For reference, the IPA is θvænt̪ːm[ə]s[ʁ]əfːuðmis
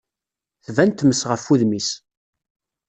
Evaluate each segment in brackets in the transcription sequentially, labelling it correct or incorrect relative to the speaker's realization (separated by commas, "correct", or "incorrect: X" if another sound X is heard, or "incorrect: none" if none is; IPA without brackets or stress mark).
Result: correct, correct